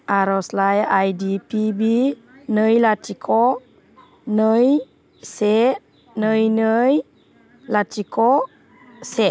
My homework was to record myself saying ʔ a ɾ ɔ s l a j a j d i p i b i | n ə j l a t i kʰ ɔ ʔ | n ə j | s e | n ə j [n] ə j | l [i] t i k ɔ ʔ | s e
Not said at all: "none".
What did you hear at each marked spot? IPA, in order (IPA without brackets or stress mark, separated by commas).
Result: n, a